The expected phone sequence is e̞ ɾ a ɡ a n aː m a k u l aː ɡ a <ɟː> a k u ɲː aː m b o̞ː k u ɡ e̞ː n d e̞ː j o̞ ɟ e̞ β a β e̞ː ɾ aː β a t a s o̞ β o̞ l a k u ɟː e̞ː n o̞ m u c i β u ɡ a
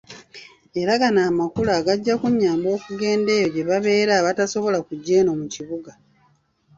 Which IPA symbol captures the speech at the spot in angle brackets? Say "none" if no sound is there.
ɟː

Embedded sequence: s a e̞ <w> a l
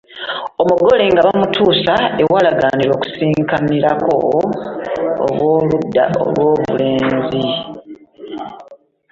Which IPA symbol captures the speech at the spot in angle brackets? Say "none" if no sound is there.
w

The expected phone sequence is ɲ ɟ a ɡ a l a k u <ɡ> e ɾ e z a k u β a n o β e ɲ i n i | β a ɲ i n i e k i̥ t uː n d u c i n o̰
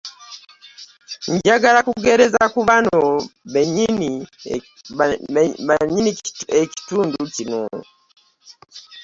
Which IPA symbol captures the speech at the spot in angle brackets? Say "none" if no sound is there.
ɡ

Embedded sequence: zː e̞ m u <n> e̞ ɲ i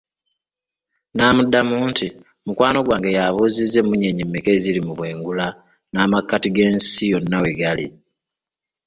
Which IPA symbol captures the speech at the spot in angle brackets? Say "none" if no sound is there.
ɲ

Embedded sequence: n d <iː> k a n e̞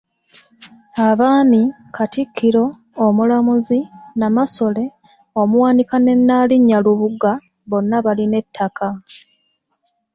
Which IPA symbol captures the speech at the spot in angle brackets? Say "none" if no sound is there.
i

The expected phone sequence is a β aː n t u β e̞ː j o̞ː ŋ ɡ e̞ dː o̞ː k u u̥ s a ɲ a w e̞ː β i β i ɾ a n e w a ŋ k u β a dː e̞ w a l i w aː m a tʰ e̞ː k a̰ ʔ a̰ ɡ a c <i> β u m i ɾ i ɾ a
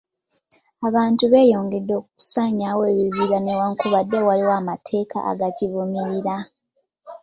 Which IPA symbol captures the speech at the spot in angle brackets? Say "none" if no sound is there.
i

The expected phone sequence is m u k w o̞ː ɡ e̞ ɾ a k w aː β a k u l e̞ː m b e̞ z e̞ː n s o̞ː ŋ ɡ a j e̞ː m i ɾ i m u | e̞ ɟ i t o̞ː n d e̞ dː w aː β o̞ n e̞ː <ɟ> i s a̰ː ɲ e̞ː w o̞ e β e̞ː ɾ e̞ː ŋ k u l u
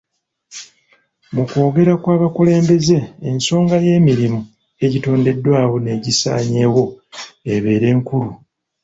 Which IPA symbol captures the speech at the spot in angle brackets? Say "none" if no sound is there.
ɟ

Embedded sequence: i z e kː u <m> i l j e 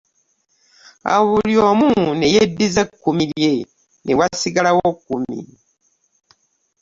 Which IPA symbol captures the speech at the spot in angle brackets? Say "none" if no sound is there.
m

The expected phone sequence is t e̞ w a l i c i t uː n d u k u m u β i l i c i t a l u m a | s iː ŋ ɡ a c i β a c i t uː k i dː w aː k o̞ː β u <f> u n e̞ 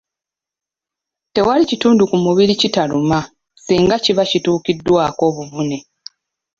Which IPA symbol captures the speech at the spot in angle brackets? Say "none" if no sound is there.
v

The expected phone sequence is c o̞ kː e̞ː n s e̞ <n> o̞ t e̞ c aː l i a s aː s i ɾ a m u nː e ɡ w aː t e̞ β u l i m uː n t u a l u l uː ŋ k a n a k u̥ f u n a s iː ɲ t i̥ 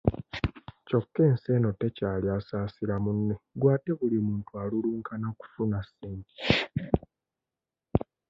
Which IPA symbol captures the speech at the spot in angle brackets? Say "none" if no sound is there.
n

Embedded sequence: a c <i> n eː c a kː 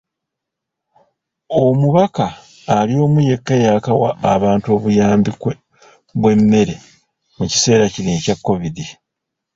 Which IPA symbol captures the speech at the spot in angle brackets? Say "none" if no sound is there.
i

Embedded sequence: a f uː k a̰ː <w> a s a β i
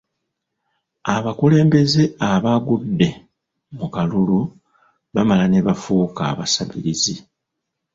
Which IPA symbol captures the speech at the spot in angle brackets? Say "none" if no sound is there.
β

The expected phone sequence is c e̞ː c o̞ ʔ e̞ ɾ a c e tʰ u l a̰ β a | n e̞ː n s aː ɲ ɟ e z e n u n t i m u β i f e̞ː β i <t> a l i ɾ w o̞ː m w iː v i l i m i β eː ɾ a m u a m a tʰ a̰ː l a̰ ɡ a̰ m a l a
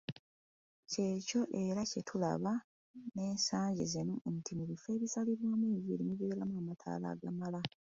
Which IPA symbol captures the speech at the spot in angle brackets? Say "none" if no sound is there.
s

